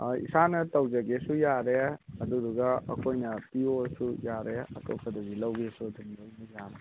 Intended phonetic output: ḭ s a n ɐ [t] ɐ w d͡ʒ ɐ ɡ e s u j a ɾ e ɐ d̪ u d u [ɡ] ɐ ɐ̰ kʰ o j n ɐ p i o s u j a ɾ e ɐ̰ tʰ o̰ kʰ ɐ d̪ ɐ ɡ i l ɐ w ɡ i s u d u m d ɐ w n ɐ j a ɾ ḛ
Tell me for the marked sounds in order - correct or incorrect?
correct, correct

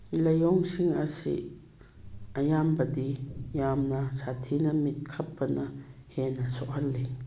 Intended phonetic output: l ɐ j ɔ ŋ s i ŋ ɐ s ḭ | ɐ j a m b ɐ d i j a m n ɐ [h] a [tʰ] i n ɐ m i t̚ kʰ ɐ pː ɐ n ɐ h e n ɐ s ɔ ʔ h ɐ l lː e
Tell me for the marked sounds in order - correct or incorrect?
incorrect: s, correct

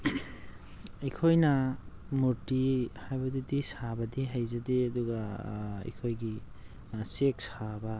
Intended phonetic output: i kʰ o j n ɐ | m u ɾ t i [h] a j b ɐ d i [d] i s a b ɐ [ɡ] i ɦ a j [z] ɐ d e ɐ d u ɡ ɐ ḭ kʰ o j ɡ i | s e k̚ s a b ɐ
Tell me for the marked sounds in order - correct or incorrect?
correct, correct, incorrect: d, correct

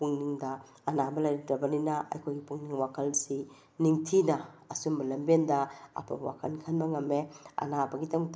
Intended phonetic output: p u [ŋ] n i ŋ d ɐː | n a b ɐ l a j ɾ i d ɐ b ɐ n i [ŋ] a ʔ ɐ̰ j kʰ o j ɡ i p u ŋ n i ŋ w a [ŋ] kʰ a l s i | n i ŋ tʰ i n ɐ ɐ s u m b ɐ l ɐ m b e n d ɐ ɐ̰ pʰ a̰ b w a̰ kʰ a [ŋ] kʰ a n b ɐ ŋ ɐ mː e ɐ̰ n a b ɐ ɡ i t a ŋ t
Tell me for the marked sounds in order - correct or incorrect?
correct, incorrect: n, incorrect: none, incorrect: n

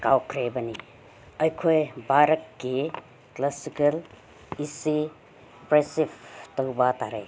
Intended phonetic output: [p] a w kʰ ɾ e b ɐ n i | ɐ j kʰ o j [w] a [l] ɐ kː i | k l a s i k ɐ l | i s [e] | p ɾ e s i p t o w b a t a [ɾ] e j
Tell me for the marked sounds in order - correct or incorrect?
incorrect: k, incorrect: b, incorrect: ɾ, incorrect: i, correct

